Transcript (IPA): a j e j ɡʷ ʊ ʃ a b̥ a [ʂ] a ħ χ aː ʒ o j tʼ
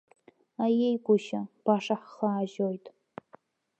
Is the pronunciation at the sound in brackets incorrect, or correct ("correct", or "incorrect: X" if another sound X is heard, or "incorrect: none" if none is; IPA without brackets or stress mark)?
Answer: correct